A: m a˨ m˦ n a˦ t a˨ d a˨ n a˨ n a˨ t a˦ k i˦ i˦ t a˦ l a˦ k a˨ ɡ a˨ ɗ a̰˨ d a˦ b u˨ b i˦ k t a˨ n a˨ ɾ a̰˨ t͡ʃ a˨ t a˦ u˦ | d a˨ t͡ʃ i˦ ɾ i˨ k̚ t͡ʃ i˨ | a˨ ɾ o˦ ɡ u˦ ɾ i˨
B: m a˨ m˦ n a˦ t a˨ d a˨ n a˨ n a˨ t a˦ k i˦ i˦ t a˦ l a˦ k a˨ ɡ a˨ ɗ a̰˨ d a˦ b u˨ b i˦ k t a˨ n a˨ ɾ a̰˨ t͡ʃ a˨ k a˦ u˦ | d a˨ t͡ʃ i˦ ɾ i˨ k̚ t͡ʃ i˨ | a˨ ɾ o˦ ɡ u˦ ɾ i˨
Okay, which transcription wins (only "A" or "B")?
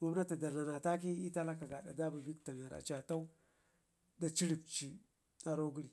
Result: A